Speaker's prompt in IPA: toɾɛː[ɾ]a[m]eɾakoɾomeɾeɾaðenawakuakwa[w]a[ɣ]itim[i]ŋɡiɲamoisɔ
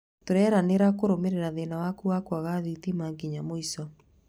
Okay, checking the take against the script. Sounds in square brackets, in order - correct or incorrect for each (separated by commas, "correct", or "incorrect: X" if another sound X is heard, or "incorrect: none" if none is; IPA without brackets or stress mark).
correct, incorrect: n, incorrect: ɣ, incorrect: ð, incorrect: a